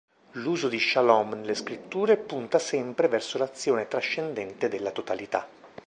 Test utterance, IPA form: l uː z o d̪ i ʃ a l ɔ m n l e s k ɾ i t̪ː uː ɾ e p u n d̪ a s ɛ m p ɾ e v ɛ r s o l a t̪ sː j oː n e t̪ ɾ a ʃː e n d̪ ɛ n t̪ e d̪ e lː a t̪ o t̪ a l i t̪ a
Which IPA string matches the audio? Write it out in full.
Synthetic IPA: l uː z o d̪ i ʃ a l ɔ m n l e s k ɾ i t̪ː uː ɾ e p u n t̪ a s ɛ m p ɾ e v ɛ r s o l a t̪ sː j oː n e t̪ ɾ a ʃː e n d̪ ɛ n t̪ e d̪ e lː a t̪ o t̪ a l i t̪ a